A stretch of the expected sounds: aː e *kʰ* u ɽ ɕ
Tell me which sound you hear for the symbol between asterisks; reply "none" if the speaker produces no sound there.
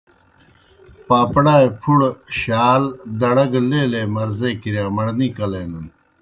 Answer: pʰ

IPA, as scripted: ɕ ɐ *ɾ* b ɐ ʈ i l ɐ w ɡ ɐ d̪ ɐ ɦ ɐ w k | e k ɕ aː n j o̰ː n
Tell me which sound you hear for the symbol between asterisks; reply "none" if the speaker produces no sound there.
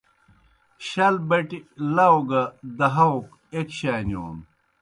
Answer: l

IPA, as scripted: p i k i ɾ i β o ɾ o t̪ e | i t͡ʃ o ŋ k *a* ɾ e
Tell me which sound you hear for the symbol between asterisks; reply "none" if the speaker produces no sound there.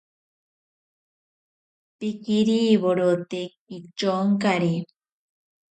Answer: a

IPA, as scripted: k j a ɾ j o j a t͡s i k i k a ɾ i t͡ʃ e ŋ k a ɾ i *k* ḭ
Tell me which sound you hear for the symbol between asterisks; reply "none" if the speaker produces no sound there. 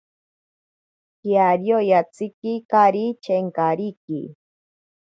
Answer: k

